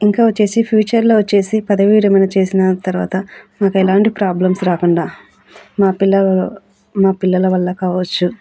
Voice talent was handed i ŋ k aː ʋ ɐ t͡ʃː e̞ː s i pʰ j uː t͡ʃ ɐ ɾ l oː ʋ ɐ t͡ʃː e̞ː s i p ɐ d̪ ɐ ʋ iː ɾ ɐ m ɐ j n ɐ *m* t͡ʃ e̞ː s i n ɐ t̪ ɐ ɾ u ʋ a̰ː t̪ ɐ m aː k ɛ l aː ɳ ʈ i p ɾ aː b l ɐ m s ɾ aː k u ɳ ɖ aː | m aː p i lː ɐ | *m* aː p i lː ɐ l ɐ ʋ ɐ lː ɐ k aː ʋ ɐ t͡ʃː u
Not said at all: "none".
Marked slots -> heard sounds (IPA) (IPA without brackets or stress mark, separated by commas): none, m